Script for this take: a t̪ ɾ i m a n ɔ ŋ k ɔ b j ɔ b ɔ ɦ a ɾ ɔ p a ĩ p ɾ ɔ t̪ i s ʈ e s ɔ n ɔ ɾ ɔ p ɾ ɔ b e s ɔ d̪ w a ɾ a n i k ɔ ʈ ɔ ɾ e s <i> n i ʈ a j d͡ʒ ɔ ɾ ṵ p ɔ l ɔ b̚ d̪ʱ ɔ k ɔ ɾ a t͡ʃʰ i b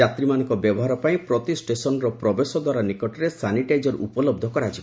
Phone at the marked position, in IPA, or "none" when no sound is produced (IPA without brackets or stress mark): a